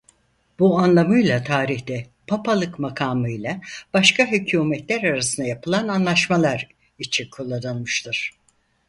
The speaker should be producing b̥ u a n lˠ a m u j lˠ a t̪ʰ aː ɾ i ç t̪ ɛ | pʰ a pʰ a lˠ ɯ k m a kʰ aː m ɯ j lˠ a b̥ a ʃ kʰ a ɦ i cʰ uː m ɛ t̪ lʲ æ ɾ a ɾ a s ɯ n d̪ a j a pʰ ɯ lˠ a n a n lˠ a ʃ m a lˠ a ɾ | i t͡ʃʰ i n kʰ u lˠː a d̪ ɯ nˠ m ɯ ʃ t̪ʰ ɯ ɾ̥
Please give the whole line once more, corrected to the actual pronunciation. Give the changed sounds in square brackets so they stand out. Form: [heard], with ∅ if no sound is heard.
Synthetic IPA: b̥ u a n lˠ a m [ɯ] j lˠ a t̪ʰ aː ɾ i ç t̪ ɛ | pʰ a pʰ a lˠ ɯ k m a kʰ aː m ɯ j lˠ a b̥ a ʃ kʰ a ɦ [y] cʰ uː m ɛ t̪ lʲ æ ɾ a ɾ a s ɯ n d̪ a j a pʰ ɯ lˠ a n a n lˠ a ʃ m a lˠ a ɾ | i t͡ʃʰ i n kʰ u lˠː a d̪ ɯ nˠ m ɯ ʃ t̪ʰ ɯ ɾ̥